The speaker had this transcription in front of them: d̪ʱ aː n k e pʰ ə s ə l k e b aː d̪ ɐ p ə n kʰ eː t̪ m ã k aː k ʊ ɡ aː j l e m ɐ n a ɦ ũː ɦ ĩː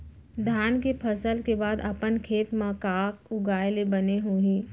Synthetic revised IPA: d̪ʱ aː n k e pʰ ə s ə l k e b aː d̪ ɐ p ə n kʰ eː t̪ m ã k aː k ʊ ɡ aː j l e b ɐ n e ɦ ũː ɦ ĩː